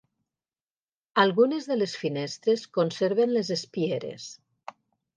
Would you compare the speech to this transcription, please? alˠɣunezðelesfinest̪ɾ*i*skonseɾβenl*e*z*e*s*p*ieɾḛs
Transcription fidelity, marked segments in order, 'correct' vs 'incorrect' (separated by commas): incorrect, correct, correct, correct